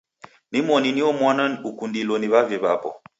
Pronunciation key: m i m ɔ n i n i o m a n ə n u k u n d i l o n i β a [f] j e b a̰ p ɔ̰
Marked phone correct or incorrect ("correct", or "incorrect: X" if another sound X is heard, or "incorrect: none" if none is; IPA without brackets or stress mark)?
incorrect: v